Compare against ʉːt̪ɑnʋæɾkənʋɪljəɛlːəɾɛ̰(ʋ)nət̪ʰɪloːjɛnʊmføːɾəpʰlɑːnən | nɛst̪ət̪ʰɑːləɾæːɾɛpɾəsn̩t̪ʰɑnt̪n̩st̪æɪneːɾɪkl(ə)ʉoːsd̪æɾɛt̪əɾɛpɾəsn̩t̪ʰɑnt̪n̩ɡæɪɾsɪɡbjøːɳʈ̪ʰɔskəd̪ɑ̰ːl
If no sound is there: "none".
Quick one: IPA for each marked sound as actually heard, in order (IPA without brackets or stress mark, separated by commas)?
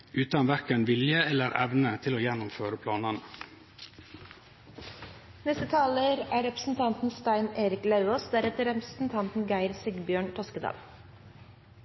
ʋ, ɑ